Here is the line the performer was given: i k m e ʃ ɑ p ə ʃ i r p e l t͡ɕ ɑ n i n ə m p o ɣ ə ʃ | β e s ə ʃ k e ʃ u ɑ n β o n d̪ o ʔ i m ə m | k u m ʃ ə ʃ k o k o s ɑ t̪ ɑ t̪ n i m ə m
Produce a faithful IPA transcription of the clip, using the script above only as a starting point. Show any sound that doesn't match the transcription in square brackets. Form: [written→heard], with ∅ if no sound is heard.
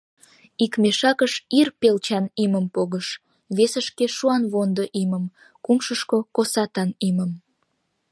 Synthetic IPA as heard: i k m e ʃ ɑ [p→k] ə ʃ i r p e l t͡ɕ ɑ n i [n→m] ə m p o ɣ ə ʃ | β e s ə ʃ k e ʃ u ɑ n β o n d̪ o ʔ i m ə m | k u m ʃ ə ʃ k o k o s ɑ t̪ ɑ [t̪→∅] n i m ə m